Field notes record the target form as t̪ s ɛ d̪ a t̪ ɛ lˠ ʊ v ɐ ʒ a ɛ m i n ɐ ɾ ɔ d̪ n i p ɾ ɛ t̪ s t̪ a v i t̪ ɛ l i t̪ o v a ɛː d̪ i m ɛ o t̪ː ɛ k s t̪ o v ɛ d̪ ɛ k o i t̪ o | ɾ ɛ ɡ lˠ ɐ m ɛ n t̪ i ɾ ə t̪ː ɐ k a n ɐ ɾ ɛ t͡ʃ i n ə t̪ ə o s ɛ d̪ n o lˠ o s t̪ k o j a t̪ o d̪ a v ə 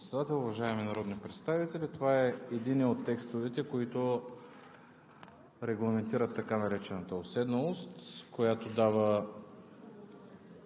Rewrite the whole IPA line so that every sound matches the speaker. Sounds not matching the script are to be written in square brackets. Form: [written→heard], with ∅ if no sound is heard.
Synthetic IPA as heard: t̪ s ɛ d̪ a t̪ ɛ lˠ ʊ v ɐ ʒ a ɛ m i n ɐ ɾ ɔ d̪ n i p ɾ ɛ t̪ s t̪ a v i t̪ ɛ l i t̪ o v a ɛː d̪ i [m→n] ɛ o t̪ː ɛ k s t̪ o v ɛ [d̪→t̪] ɛ k o i t̪ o | ɾ ɛ ɡ lˠ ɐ m ɛ n t̪ i ɾ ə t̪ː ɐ k a n ɐ ɾ ɛ t͡ʃ [i→ɛ] n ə t̪ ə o s ɛ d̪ n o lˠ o s t̪ k o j a t̪ o d̪ a v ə

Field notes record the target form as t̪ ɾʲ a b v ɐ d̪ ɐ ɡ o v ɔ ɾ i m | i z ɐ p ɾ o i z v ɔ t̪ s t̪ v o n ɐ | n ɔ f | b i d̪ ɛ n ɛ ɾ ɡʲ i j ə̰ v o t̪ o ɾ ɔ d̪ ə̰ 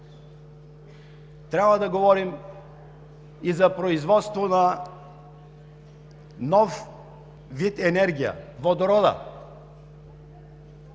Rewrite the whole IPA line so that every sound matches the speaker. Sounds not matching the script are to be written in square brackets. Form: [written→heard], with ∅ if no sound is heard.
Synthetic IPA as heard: t̪ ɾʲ a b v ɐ d̪ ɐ ɡ o v ɔ ɾ i m | i z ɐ p ɾ o i z v ɔ t̪ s t̪ v o n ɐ | n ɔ f | [b→v] i [d̪→t̪] ɛ n ɛ ɾ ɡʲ i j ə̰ v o [t̪→d̪] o ɾ ɔ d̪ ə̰

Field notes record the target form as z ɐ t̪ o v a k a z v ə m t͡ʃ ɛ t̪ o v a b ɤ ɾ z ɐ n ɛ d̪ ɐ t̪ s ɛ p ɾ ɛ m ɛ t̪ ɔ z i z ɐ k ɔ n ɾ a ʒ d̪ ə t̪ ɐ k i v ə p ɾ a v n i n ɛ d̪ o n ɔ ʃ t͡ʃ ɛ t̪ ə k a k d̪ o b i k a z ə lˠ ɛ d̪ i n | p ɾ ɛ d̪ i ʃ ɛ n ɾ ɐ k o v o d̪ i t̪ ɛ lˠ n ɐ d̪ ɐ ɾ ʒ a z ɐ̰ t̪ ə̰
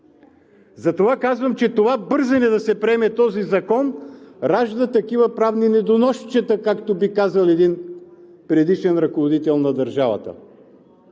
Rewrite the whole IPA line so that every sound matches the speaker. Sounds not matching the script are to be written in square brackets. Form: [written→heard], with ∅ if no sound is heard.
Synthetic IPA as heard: z ɐ t̪ o v a k a z v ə m t͡ʃ ɛ t̪ o v a b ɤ ɾ z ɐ n ɛ d̪ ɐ [t̪→∅] s ɛ p ɾ ɛ m ɛ t̪ ɔ z i z ɐ k ɔ n ɾ a ʒ d̪ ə t̪ ɐ k i v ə p ɾ a v n i n ɛ d̪ o n ɔ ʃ t͡ʃ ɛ t̪ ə k a k [d̪→t̪] o b i k a z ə lˠ ɛ d̪ i n | p ɾ ɛ d̪ i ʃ ɛ n ɾ ɐ k o v o d̪ i t̪ ɛ lˠ n ɐ d̪ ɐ ɾ ʒ a [z→v] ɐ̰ t̪ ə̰

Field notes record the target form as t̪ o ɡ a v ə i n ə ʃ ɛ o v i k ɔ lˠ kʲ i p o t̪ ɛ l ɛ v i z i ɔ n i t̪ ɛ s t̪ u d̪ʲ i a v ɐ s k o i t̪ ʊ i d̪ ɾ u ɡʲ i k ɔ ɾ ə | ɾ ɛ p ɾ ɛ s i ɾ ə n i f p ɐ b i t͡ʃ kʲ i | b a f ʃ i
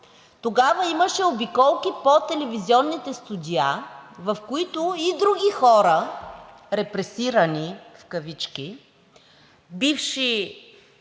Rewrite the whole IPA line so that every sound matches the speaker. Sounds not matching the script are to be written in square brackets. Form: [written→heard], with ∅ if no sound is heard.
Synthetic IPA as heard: t̪ o ɡ a v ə i [n→m] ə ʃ ɛ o [v→b] i k ɔ lˠ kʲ i p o t̪ ɛ l ɛ v i z i ɔ [n→nː] i t̪ ɛ s t̪ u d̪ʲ i a v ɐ [s→f] k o i t̪ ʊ i d̪ ɾ u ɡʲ i [k→x] ɔ ɾ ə | ɾ ɛ p ɾ ɛ s i ɾ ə n i f [p→k] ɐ [b→v] i t͡ʃ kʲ i | b [a→i] f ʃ i

